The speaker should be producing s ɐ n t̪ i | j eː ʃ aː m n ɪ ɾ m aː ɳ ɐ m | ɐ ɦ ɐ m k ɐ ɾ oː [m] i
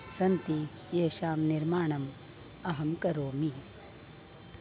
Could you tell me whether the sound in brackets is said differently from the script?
no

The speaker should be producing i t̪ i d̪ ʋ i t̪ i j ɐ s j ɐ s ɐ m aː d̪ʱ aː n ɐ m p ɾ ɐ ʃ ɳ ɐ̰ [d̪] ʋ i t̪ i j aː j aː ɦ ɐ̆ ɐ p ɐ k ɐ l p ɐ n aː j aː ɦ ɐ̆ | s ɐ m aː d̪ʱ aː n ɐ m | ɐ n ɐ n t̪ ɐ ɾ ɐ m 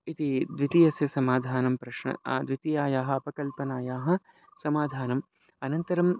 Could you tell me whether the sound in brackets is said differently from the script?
no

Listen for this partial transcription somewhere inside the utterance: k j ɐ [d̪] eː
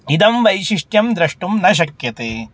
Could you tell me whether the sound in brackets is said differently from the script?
yes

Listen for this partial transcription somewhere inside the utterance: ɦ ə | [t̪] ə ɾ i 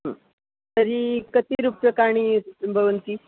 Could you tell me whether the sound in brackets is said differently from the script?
no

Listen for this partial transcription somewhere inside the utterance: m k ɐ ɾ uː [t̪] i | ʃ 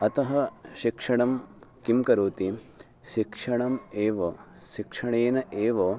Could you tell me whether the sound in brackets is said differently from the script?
no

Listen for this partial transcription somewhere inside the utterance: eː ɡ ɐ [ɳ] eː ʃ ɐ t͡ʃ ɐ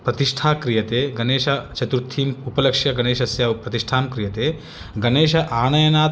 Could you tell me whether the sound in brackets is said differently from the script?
yes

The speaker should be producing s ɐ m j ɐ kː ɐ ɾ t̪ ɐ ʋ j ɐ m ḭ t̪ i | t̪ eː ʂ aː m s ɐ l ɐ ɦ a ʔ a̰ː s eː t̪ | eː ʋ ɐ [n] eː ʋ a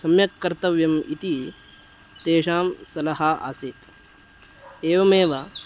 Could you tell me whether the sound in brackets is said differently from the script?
yes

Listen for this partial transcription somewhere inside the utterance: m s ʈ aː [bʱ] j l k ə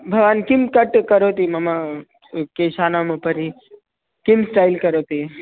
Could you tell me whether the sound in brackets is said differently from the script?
yes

